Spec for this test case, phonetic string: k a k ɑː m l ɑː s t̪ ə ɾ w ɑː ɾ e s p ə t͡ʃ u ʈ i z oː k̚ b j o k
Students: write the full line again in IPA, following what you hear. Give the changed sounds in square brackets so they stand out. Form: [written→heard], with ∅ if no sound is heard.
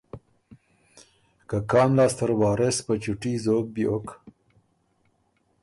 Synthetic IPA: k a k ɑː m l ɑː s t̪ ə ɾ w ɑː ɾ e s p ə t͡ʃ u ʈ i z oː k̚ b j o k